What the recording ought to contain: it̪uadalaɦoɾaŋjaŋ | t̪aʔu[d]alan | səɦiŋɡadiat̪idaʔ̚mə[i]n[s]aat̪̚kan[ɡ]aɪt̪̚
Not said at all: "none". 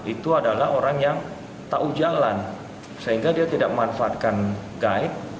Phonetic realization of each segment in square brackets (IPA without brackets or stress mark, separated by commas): d͡ʒ, a, f, ɡ